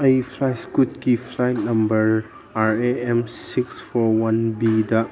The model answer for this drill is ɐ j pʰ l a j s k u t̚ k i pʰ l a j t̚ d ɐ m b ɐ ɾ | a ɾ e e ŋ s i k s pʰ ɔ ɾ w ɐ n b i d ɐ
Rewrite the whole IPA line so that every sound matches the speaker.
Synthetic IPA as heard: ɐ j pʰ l a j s k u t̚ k i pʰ l a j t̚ n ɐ m b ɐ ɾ | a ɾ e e m s i k s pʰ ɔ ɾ w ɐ n b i d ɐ